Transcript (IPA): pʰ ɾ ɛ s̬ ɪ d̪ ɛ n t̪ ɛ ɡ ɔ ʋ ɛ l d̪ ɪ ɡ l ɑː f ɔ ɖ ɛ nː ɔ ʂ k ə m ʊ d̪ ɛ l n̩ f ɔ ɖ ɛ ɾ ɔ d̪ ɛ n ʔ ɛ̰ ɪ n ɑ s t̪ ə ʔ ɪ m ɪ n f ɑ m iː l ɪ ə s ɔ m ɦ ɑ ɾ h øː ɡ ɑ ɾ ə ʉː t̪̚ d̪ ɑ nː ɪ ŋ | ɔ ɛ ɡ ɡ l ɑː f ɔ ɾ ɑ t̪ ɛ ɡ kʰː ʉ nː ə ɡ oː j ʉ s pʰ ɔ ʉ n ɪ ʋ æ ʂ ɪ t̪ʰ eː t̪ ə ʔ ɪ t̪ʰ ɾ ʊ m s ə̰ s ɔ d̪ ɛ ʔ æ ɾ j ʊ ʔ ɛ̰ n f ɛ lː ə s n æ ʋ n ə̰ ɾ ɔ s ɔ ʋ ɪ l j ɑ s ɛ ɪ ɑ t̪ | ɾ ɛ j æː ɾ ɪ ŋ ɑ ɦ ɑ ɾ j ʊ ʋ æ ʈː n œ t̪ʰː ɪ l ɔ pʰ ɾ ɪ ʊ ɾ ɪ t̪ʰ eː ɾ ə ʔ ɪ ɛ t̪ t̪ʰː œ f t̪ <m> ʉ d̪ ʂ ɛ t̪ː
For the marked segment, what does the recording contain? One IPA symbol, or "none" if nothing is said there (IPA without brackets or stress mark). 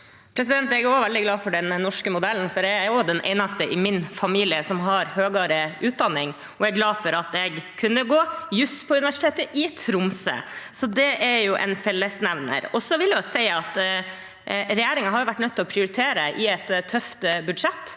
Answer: b